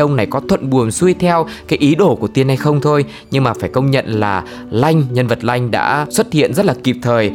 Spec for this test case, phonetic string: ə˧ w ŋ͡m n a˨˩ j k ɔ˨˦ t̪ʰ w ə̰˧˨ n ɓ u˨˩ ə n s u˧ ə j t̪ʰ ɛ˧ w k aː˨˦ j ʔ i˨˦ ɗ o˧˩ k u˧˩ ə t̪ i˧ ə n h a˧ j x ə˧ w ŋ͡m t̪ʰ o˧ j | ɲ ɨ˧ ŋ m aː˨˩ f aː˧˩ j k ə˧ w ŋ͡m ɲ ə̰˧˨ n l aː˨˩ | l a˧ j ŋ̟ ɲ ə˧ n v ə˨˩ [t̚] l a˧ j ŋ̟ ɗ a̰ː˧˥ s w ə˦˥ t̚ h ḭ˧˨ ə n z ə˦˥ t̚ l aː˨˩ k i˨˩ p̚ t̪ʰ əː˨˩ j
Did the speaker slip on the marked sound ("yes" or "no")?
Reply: no